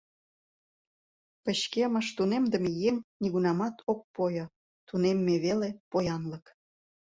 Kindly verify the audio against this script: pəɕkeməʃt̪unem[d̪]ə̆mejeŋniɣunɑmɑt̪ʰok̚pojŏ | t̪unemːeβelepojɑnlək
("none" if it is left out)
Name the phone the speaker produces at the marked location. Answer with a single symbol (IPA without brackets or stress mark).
d̪